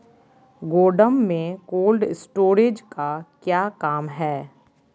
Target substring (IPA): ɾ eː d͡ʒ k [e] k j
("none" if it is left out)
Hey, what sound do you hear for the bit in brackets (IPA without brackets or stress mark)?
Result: a